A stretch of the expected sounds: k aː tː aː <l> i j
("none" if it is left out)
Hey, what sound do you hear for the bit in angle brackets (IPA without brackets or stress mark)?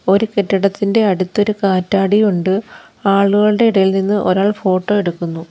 ɽ